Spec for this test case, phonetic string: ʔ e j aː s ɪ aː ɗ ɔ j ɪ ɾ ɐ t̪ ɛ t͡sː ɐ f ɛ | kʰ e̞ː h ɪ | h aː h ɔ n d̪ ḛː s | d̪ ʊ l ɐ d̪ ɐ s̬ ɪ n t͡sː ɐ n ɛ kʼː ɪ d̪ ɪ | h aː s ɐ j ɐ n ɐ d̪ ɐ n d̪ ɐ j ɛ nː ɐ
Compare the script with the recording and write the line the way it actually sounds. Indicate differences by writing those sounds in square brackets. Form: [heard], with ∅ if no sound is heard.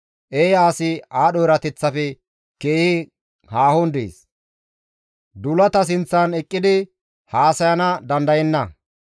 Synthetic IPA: ʔ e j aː s ɪ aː ɗ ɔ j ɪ ɾ ɐ t̪ ɛ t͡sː ɐ f ɛ | [k] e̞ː h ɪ | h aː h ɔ n d̪ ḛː s | d̪ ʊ l ɐ [t̪] ɐ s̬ ɪ n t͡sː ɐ n ɛ kʼː ɪ d̪ ɪ | h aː s ɐ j ɐ n ɐ d̪ ɐ n d̪ ɐ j ɛ nː ɐ